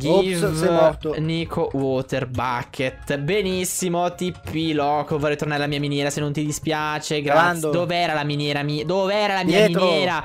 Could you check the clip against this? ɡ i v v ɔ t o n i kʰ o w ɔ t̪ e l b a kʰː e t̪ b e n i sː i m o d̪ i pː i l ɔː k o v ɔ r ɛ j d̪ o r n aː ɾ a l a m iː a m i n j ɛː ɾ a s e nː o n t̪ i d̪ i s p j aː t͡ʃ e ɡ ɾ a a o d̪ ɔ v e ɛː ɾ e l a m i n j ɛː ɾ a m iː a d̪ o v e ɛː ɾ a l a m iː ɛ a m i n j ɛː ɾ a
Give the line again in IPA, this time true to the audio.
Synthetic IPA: ɡ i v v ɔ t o n i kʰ o w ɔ t̪ e r b a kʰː e t̪ b e n i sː i m o t̪ i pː i l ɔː k o v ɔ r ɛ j t̪ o r n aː ɾ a l a m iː a m i n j ɛː ɾ a s e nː o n t̪ i d̪ i s p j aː t͡ʃ e ɡ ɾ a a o d̪ o v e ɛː ɾ a l a m i n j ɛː ɾ a m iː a d̪ o v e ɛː ɾ a l a m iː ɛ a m i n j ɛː ɾ a